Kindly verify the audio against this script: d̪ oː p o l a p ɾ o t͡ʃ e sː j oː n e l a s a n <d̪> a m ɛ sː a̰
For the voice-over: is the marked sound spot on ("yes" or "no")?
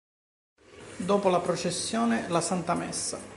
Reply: no